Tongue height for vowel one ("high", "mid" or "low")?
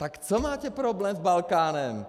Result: low